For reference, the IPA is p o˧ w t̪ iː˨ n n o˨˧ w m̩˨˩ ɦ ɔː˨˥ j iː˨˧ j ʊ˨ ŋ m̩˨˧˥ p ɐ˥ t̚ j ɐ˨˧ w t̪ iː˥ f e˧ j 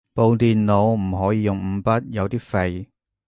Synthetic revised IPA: p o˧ w t̪ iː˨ n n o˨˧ w m̩˨˩ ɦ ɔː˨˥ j iː˨˧ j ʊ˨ ŋ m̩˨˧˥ p ɐ˥ t̚ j ɐ˨˧ w t̪ iː˥ f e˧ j

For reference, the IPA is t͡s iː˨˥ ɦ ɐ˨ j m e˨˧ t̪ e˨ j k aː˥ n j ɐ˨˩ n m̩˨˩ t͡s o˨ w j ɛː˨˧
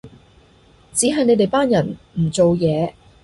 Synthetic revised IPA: t͡s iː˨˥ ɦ ɐ˨ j n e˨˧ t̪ e˨ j p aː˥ n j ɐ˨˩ n m̩˨˩ t͡s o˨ w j ɛː˨˧

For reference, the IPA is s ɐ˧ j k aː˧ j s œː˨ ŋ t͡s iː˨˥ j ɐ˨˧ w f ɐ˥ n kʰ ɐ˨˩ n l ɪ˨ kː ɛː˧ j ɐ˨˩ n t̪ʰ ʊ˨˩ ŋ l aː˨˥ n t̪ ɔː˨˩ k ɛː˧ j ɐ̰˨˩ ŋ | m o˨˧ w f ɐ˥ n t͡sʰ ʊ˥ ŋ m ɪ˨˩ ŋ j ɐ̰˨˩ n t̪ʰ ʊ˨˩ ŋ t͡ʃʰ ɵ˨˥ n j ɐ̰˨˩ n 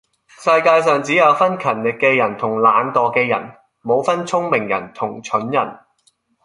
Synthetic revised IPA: s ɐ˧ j k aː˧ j s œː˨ ŋ t͡s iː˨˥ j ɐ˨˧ w f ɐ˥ n kʰ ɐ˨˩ n l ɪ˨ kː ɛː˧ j ɐ˨˩ n t̪ʰ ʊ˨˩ ŋ l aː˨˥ n t̪ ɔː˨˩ k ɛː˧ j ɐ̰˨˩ n | m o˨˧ w f ɐ˥ n t͡sʰ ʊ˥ ŋ m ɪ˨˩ ŋ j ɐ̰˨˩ n t̪ʰ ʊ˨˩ ŋ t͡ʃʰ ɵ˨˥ n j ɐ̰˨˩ n

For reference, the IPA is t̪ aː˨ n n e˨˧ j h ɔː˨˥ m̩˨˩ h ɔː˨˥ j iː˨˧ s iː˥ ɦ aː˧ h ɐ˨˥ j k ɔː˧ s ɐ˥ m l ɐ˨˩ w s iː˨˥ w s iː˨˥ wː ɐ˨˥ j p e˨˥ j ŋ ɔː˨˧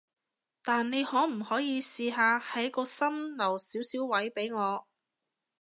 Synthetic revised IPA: t̪ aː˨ n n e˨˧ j h ɔː˨˥ m̩˨˩ h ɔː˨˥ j iː˨˧ s iː˧ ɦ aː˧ h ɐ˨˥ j k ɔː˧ s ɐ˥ m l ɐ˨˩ w s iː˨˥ w s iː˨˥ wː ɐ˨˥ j p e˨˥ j ŋ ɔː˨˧

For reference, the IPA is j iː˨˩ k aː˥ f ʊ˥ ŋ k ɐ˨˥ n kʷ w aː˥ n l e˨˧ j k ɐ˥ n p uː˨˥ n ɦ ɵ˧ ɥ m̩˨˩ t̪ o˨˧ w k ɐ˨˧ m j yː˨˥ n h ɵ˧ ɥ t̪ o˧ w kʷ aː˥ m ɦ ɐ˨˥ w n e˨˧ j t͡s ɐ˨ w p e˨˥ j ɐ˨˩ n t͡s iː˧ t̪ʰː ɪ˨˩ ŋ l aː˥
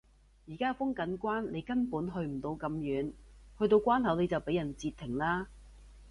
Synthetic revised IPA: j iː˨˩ k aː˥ f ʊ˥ ŋ k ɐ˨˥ n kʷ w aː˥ n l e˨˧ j k ɐ˥ n p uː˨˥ n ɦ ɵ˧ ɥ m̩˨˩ t̪ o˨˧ w k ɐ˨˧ m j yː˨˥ n h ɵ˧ ɥ t̪ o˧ w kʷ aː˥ n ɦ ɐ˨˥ w n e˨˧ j t͡s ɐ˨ w p e˨˥ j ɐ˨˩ n t͡s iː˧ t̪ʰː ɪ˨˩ ŋ l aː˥

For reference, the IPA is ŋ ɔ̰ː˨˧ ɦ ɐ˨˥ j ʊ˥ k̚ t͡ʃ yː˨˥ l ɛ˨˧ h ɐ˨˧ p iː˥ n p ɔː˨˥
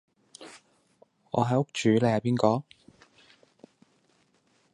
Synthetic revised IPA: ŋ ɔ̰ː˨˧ ɦ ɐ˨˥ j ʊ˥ k̚ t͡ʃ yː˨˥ l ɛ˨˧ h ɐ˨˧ p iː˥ n k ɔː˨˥

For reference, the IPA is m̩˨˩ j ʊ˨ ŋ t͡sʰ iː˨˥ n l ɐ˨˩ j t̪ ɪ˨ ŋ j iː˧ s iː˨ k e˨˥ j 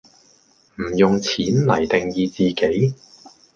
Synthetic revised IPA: m̩˨˩ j ʊ˨ ŋ t͡sʰ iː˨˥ n l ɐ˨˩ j t̪ ɪ˨ ŋ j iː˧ t͡s iː˨ k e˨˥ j

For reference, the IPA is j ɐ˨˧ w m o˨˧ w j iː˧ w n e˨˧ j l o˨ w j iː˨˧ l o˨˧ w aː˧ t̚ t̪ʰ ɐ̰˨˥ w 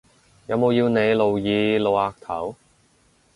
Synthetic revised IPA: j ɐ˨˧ w m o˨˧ w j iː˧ w n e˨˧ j l o˨ w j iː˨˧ l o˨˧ w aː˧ k̚ t̪ʰ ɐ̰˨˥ w

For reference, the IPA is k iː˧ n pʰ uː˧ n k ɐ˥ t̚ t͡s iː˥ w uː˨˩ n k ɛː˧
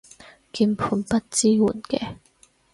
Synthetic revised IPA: k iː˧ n pʰ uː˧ n p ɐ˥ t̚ t͡s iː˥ w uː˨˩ n k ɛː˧

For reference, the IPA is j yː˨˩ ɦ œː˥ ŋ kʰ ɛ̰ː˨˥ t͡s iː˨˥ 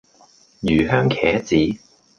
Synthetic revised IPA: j yː˨˩ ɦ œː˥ ŋ kʰ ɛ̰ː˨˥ t͡s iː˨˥

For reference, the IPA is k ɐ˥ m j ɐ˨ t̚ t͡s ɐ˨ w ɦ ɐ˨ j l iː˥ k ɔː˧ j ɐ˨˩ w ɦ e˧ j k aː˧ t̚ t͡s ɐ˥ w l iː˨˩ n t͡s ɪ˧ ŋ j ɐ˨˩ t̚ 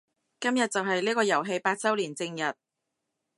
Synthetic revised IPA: k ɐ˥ m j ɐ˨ t̚ t͡s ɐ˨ w ɦ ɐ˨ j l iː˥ k ɔː˧ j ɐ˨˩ w ɦ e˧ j p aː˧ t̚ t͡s ɐ˥ w l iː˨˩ n t͡s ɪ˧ ŋ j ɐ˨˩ t̚

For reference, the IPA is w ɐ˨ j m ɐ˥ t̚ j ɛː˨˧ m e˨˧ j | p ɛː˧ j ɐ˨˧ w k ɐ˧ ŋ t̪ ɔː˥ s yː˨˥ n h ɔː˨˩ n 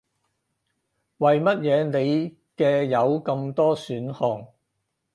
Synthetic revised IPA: w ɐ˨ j m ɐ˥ t̚ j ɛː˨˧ n e˨˧ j | k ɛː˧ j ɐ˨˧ w k ɐ˧ m t̪ ɔː˥ s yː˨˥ n h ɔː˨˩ ŋ

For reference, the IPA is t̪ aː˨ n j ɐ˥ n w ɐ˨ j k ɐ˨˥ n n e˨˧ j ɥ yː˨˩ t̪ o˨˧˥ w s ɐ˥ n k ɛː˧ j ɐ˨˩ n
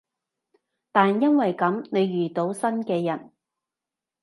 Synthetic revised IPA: t̪ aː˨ n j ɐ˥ n w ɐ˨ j k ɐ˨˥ m n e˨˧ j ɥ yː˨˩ t̪ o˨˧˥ w s ɐ˥ n k ɛː˧ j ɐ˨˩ n

